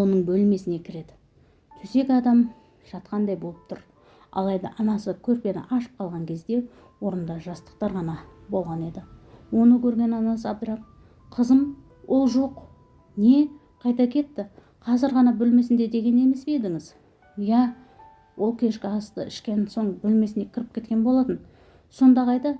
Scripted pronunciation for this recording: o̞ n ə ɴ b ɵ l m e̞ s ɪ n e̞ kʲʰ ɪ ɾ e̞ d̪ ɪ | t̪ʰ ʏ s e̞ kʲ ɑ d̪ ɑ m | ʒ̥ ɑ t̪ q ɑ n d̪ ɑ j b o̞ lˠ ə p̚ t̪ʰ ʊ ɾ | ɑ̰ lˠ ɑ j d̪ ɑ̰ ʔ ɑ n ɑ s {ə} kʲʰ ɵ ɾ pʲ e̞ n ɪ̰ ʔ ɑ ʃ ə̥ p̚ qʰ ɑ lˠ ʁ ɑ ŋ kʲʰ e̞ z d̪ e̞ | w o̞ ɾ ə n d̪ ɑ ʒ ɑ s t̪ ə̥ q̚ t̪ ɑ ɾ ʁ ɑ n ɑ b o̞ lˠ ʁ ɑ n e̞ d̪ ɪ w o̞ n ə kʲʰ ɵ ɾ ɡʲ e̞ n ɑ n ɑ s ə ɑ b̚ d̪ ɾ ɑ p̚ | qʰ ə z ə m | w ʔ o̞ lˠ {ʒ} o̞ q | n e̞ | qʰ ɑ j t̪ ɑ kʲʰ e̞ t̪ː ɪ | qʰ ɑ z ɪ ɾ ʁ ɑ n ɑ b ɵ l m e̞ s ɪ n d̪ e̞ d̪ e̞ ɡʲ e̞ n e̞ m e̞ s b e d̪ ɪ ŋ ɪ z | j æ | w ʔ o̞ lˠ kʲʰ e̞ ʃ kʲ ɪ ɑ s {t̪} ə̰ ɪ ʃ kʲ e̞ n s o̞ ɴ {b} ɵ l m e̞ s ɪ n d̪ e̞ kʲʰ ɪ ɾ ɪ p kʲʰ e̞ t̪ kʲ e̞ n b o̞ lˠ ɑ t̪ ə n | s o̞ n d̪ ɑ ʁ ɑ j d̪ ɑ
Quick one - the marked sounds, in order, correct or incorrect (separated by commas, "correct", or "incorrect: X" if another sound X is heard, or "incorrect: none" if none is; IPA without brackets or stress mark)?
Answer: correct, correct, correct, correct